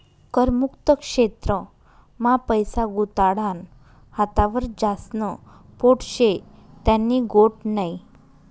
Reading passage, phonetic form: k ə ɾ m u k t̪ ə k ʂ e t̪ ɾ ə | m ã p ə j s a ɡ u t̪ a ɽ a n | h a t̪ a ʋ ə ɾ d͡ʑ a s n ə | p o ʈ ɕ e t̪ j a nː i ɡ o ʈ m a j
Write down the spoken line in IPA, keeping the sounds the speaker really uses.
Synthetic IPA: k ə ɾ m u k t̪ ə k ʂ e t̪ ɾ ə | m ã p ə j s a ɡ u t̪ a ɽ a n | h a t̪ a ʋ ə ɾ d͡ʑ a s n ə | p o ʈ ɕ e t̪ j a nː i ɡ o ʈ n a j